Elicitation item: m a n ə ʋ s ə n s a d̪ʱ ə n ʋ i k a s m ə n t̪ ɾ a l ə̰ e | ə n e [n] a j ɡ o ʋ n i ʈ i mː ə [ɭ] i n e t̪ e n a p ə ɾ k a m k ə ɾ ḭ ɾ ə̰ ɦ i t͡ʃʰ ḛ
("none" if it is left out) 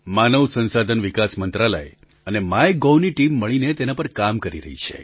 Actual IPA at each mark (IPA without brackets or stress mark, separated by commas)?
m, ɭ